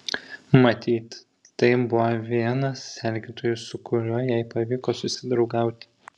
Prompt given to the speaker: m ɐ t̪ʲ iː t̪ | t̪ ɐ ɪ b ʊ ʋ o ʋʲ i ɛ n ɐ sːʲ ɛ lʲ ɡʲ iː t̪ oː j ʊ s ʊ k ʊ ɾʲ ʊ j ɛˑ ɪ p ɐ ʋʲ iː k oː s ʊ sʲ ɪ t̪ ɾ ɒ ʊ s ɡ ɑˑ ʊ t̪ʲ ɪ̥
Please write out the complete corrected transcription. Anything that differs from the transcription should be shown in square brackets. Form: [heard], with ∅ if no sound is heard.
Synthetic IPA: m ɐ t̪ʲ iː t̪ | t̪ ɐ ɪ b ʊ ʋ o ʋʲ i ɛ n ɐ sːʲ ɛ lʲ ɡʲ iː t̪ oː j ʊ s ʊ k ʊ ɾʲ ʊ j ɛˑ ɪ p ɐ ʋʲ iː k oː s ʊ sʲ ɪ [d̪] ɾ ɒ ʊ [∅] ɡ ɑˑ ʊ t̪ʲ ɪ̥

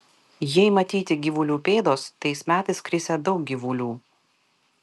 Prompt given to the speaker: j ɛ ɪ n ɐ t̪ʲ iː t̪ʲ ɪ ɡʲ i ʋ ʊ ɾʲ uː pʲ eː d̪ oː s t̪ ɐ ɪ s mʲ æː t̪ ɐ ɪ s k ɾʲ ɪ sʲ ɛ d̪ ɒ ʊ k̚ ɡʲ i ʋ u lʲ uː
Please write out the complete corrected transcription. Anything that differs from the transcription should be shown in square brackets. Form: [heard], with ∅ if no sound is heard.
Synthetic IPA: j ɛ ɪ [m] ɐ t̪ʲ iː t̪ʲ ɪ ɡʲ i ʋ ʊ [lʲ] uː pʲ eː d̪ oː s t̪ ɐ ɪ s mʲ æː t̪ ɐ ɪ s k ɾʲ ɪ sʲ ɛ d̪ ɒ ʊ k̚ ɡʲ i ʋ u lʲ uː

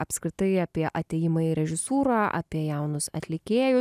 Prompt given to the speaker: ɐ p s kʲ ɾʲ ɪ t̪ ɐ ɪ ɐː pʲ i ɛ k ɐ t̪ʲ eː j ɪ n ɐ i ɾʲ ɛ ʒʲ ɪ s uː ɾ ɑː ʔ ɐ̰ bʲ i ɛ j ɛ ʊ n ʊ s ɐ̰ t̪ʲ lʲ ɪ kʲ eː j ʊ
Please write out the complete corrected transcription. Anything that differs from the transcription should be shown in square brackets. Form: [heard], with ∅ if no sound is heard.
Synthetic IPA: ɐ p s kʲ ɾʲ ɪ t̪ ɐ ɪ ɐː pʲ i ɛ [ʔ] ɐ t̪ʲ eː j ɪ [m] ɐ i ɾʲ ɛ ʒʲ ɪ s uː ɾ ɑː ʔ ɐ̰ [pʲ] i ɛ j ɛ ʊ n ʊ s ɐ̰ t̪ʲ lʲ ɪ kʲ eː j ʊ

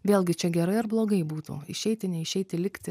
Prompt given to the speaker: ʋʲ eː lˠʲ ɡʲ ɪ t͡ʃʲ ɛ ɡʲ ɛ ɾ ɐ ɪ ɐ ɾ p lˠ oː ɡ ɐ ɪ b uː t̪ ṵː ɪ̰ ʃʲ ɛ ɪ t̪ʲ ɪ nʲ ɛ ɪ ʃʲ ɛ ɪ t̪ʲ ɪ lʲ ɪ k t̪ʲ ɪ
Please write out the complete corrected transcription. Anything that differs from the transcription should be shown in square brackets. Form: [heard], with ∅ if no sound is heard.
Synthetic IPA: ʋʲ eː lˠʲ ɡʲ ɪ t͡ʃʲ ɛ ɡʲ ɛ ɾ ɐ ɪ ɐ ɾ [b] lˠ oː ɡ ɐ ɪ b uː t̪ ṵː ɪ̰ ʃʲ ɛ ɪ t̪ʲ ɪ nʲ ɛ ɪ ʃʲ ɛ ɪ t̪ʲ ɪ lʲ ɪ k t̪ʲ ɪ

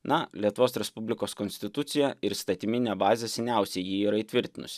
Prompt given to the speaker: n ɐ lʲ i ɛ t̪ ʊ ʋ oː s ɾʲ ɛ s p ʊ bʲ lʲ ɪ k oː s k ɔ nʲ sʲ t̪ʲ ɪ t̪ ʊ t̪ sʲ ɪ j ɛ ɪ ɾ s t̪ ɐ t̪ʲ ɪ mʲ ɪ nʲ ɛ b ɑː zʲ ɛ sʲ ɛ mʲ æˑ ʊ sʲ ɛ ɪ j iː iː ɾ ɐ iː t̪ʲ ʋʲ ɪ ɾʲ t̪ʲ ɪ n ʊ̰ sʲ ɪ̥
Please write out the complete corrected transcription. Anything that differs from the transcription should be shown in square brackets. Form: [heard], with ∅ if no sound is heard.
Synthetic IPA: n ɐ lʲ i ɛ t̪ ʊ ʋ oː s ɾʲ ɛ s p ʊ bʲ lʲ ɪ k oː s k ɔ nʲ sʲ t̪ʲ ɪ t̪ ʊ t̪ sʲ ɪ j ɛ ɪ ɾ s t̪ ɐ t̪ʲ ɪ mʲ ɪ nʲ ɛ b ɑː zʲ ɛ sʲ ɛ [nʲ] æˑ ʊ sʲ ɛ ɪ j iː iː ɾ ɐ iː t̪ʲ ʋʲ ɪ ɾʲ t̪ʲ ɪ n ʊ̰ sʲ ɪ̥

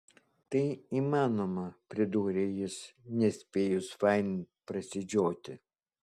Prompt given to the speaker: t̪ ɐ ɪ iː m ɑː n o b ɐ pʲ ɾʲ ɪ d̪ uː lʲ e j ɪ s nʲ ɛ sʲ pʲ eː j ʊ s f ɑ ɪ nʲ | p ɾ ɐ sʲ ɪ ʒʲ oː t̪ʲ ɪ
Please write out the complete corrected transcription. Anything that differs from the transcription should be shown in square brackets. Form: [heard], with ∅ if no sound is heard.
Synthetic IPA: t̪ ɐ ɪ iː m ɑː n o [m] ɐ pʲ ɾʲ ɪ d̪ uː [ɾʲ] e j ɪ s nʲ ɛ sʲ pʲ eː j ʊ s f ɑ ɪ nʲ | p ɾ ɐ sʲ ɪ [d͡ʒʲ] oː t̪ʲ ɪ

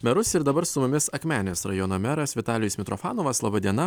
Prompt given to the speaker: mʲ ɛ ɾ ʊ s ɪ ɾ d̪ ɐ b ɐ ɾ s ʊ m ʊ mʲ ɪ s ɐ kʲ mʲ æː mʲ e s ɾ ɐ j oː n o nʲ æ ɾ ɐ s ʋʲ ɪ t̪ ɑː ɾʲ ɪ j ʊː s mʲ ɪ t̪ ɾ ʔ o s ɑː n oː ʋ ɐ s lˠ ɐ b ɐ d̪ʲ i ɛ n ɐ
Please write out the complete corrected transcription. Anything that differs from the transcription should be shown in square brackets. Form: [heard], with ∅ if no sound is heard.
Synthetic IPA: mʲ ɛ ɾ ʊ s ɪ ɾ d̪ ɐ b ɐ ɾ s ʊ m ʊ mʲ ɪ s ɐ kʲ mʲ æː [nʲ] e s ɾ ɐ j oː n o [mʲ] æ ɾ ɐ s ʋʲ ɪ t̪ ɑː [lʲ] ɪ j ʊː s mʲ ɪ t̪ ɾ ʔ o [f] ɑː n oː ʋ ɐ s lˠ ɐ b ɐ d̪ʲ i ɛ n ɐ

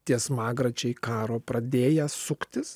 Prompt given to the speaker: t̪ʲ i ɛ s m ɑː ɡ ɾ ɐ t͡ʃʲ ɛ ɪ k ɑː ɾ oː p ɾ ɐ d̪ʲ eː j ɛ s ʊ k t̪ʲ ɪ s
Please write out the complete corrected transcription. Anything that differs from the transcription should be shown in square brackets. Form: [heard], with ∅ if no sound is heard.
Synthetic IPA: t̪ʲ i ɛ s m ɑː ɡ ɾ ɐ t͡ʃʲ ɛ ɪ k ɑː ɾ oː p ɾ ɐ d̪ʲ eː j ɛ s ʊ k t̪ʲ ɪ s

